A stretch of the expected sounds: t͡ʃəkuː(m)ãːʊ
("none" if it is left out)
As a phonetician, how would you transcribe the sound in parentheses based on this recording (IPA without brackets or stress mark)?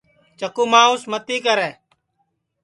m